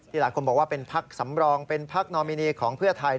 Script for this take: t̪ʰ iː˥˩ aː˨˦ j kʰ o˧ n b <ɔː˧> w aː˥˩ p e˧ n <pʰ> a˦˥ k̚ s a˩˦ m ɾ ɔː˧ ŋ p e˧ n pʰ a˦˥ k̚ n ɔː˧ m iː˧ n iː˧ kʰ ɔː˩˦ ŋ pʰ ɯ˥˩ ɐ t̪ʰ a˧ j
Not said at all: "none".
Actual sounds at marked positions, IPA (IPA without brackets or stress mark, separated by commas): ɔː˨˩, pʰ